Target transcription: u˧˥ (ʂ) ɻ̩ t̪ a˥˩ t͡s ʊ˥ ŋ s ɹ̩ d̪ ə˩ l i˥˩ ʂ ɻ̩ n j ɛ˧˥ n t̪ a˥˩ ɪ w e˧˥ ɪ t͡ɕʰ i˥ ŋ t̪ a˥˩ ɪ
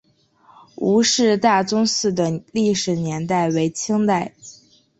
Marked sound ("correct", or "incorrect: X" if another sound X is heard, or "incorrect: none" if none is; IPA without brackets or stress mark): correct